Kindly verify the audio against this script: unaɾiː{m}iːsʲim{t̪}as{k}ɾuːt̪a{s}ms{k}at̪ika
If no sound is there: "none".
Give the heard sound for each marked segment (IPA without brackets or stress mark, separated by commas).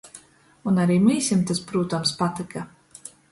m, t̪, p, none, p